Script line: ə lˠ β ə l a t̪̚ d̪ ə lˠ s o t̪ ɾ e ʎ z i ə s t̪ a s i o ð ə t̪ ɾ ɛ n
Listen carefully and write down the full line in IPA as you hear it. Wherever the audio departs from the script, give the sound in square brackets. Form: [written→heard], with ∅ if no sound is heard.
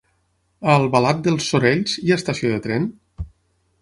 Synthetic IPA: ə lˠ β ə l a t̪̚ d̪ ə lˠ s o [t̪→∅] ɾ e ʎ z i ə s t̪ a s i o ð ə t̪ ɾ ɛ n